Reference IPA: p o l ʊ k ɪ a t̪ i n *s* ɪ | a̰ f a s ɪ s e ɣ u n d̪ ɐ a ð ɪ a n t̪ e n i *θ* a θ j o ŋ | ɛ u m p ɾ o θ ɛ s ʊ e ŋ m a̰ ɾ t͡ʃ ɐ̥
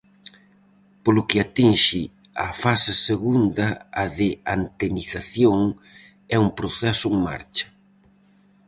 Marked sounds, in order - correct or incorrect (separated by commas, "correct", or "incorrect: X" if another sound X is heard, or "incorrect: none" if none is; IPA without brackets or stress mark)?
incorrect: ʃ, correct